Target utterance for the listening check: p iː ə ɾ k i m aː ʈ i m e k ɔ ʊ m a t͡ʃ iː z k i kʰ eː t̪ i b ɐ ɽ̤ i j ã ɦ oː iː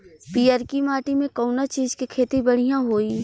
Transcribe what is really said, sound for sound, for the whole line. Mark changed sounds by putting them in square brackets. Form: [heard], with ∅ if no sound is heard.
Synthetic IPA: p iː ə ɾ k i m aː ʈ i m [ẽ] k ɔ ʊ [n] a t͡ʃ iː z k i kʰ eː t̪ i b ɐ ɽ̤ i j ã ɦ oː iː